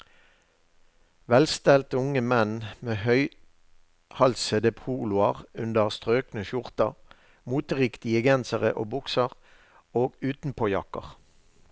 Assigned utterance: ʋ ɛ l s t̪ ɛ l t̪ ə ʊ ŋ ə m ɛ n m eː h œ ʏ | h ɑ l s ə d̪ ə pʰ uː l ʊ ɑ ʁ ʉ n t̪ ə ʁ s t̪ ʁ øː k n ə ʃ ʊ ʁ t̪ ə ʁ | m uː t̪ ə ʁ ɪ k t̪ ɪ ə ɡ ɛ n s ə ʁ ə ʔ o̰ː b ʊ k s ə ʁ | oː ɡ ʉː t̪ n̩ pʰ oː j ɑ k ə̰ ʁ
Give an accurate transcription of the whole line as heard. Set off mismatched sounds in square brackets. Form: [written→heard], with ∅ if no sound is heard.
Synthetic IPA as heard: ʋ ɛ l s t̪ ɛ l t̪ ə ʊ ŋ ə m ɛ n m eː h œ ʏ | h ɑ l s ə d̪ ə pʰ uː l ʊ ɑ ʁ ʉ n [t̪→d̪] ə ʁ s t̪ ʁ øː k n ə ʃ ʊ ʁ t̪ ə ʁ | m uː t̪ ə ʁ ɪ k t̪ ɪ ə ɡ ɛ n s ə ʁ ə ʔ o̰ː b ʊ k s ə ʁ | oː ɡ ʉː t̪ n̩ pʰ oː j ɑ k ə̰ ʁ